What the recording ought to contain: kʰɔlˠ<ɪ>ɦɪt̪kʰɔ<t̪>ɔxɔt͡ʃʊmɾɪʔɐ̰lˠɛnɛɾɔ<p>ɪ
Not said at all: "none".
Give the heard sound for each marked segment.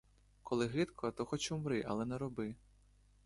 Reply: ɪ, t̪, b

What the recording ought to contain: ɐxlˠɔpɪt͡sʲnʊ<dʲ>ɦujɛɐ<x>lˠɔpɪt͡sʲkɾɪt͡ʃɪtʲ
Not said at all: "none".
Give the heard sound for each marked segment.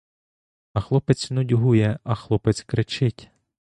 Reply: dʲ, x

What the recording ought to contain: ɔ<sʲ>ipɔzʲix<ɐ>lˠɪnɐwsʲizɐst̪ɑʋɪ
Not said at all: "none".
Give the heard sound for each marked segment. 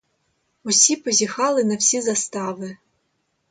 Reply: sʲ, ɑ

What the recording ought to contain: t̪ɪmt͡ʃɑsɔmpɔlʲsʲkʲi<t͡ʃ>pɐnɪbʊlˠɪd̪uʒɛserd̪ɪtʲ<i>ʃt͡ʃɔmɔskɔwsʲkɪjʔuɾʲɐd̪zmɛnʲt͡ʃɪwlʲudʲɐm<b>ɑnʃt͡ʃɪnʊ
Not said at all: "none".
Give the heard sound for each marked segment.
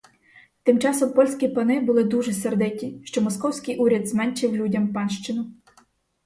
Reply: none, i, p

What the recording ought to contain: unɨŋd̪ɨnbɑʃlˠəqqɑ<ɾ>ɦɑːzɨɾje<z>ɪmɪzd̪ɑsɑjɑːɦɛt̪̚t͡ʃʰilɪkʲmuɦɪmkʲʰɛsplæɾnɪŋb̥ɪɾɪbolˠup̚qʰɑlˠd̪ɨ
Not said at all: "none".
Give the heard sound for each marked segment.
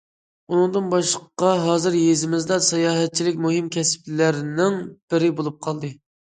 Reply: none, z

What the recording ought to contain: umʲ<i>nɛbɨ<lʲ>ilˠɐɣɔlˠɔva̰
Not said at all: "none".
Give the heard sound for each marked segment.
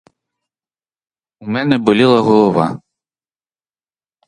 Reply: ɛ, lʲ

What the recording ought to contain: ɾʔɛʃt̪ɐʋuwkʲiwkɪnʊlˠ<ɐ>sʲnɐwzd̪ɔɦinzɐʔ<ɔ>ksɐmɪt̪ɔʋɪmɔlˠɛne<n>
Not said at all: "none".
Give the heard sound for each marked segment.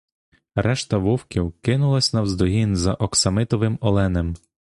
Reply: ɐ, ɔ, m

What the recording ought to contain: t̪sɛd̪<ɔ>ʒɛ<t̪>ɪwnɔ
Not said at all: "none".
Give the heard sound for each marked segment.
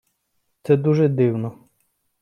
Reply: u, d̪

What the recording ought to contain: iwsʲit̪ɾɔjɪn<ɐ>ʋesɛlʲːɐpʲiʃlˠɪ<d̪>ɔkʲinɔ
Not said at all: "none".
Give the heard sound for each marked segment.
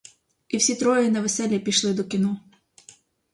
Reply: ɐ, d̪

